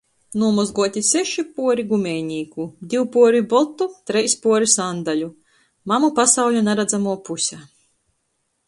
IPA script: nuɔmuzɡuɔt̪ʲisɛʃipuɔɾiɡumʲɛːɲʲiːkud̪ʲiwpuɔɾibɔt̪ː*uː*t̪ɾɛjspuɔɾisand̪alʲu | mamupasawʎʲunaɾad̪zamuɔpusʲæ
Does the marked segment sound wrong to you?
yes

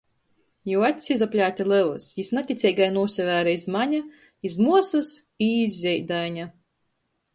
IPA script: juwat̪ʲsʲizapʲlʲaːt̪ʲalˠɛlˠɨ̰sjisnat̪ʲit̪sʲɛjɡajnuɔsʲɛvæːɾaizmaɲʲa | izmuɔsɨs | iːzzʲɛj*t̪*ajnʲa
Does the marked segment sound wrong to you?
yes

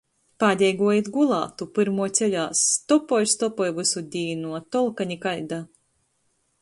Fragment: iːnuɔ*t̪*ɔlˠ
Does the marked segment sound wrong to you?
no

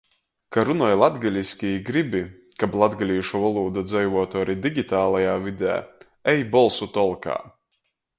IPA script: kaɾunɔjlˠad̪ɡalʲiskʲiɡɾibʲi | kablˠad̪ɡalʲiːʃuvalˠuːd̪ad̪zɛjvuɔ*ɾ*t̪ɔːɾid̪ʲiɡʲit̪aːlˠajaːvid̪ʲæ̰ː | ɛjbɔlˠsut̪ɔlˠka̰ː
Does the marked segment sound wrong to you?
yes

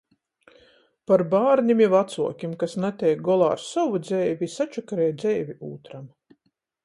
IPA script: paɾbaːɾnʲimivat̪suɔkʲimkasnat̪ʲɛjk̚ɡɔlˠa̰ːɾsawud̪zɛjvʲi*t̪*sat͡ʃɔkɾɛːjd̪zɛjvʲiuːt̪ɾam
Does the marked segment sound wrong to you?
yes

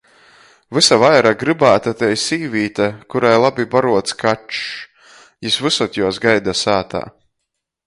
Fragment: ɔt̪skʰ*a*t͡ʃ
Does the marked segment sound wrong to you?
no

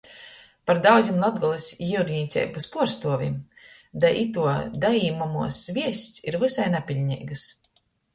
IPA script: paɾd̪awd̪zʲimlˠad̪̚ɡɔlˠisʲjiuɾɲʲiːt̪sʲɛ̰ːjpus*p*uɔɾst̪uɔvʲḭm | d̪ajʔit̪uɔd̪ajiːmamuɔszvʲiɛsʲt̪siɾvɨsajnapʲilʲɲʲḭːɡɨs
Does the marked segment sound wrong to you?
no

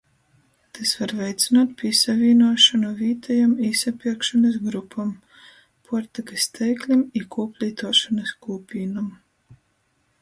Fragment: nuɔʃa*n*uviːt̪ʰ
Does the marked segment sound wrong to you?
no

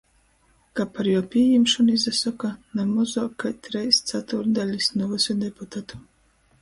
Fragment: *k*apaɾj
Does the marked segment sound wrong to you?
no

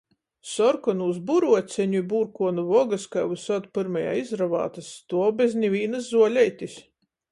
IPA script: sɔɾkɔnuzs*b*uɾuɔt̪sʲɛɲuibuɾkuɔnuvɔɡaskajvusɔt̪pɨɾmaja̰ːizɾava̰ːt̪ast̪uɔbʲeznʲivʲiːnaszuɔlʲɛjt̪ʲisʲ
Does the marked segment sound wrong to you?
no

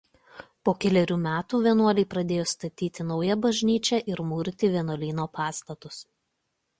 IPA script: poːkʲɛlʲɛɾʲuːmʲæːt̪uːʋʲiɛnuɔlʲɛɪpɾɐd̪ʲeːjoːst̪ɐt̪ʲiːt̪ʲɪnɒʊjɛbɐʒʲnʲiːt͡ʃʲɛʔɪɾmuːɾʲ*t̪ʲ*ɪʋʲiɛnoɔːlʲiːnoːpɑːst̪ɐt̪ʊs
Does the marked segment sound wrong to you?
no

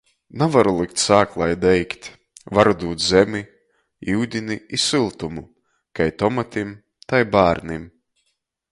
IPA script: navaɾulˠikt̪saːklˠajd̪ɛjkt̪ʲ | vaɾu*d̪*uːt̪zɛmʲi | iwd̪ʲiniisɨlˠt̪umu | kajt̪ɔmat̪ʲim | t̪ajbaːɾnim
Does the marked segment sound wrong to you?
no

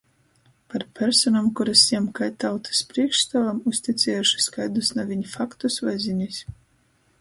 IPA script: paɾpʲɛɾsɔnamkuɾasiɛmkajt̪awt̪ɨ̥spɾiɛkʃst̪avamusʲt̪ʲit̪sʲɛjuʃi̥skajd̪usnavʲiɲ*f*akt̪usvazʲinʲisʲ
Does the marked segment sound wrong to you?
no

